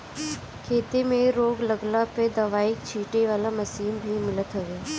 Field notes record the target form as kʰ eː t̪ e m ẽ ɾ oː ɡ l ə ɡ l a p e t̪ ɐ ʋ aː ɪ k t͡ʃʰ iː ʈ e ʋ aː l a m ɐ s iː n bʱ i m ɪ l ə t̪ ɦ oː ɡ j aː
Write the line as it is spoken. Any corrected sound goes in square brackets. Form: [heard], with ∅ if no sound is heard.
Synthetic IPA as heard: kʰ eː t̪ e m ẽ ɾ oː ɡ l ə ɡ l a p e [d̪] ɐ ʋ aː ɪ k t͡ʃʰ iː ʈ e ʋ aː l a m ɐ s iː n bʱ i m ɪ l ə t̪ ɦ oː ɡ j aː